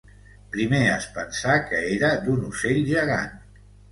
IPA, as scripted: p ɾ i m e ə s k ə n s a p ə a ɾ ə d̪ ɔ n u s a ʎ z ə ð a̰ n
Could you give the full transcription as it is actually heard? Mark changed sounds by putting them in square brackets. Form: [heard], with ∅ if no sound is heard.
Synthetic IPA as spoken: p ɾ i m e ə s [p] ə n s a [k] ə [e] ɾ ə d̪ [u] n u s [e] ʎ [ʒ] ə [ɣ] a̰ n